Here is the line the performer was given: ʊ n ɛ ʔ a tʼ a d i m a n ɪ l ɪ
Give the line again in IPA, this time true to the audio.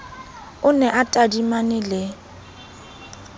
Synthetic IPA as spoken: ʊ n ɛ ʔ a tʼ a d i m a n ɪ l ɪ